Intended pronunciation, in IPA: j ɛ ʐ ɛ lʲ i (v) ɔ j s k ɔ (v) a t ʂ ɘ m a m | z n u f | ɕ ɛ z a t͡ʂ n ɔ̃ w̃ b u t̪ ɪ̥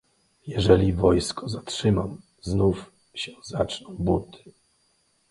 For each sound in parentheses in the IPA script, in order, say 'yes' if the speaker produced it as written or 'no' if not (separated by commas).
yes, no